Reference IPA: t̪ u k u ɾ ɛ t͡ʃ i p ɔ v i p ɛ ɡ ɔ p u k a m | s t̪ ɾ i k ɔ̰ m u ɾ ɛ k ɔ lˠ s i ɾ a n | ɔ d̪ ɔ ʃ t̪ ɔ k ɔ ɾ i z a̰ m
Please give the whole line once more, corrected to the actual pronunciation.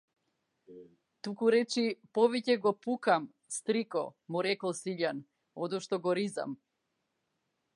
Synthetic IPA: t̪ u k u ɾ ɛ t͡ʃ i p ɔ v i c ɛ ɡ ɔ p u k a m | s t̪ ɾ i k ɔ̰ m u ɾ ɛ k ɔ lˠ s i ʎ a n | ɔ d̪ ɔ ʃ t̪ ɔ ɡ ɔ ɾ i z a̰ m